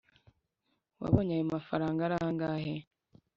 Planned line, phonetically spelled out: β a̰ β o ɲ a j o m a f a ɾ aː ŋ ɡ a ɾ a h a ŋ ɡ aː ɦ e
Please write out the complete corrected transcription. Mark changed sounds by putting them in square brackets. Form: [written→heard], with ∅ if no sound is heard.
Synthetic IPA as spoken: [β→w] a̰ β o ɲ a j o m a f a ɾ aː ŋ ɡ a ɾ a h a ŋ ɡ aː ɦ e